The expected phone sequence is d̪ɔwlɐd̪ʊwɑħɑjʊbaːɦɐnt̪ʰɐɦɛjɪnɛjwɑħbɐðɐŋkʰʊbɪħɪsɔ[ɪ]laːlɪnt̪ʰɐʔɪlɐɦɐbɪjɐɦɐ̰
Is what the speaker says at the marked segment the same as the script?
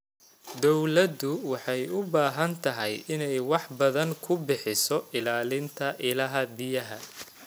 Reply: yes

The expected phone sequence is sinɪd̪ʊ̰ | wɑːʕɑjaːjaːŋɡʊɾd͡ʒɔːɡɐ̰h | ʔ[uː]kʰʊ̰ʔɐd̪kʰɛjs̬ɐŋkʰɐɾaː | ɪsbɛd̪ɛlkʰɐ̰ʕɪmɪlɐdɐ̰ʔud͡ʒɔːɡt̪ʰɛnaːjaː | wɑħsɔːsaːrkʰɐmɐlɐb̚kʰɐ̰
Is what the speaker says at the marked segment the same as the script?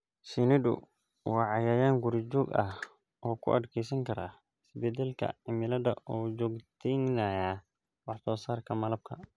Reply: no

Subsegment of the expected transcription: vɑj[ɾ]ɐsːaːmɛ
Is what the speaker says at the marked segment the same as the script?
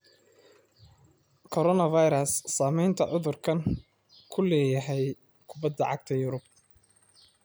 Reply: yes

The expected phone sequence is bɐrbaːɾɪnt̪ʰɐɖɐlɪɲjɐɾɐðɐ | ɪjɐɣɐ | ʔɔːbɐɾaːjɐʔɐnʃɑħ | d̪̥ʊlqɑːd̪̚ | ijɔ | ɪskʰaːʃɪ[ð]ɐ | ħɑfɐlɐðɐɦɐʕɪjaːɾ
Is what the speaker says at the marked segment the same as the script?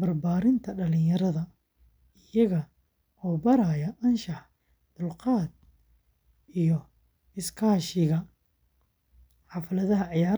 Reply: no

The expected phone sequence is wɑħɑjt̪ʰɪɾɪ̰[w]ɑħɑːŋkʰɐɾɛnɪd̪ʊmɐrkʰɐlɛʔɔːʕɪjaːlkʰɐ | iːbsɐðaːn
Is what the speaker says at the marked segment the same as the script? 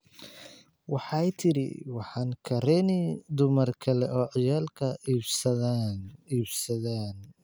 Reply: yes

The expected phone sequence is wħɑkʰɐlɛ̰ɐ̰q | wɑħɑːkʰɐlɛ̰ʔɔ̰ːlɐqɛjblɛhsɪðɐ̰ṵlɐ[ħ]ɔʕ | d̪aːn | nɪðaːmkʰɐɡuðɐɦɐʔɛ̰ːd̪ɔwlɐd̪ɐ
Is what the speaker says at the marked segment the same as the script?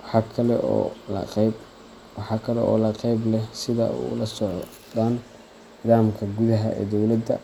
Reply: no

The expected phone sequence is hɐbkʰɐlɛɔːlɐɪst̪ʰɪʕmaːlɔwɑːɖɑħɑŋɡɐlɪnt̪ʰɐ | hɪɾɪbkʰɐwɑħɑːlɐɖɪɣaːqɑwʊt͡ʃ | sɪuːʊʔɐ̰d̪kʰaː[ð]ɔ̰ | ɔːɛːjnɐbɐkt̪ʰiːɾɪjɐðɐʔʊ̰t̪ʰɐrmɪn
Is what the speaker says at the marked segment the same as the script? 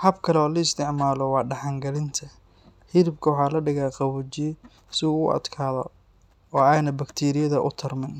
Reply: yes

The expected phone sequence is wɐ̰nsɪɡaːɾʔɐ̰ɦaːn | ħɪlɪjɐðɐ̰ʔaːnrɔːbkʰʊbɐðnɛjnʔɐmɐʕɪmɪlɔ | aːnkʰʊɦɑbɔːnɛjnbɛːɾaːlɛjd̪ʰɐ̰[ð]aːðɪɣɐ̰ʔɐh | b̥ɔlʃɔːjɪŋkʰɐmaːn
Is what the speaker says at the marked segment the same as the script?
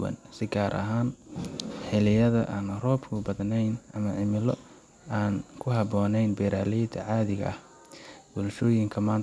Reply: no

